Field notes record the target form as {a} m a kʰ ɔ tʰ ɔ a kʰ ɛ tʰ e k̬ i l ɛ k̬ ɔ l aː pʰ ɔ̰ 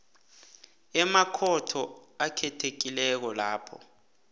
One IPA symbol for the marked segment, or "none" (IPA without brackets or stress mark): ɛ